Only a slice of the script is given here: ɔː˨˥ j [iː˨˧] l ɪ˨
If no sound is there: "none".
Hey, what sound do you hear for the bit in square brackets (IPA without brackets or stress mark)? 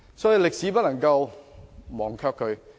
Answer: i˨˧